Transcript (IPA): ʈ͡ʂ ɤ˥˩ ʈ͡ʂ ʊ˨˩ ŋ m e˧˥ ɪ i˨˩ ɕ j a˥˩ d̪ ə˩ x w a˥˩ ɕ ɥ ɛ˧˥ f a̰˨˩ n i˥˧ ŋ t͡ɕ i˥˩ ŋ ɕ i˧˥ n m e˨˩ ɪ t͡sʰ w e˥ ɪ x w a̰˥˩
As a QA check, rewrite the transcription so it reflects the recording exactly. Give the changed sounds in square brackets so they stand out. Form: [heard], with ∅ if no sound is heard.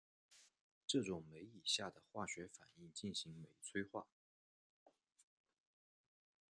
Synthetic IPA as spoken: ʈ͡ʂ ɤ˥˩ ʈ͡ʂ ʊ˨˩ ŋ m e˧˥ ɪ i˨˩ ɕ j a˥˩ d̪ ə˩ x w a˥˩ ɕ ɥ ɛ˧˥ f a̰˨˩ n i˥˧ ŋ t͡ɕ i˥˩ [n] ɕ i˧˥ [ŋ] m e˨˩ ɪ t͡sʰ w e˥ ɪ x w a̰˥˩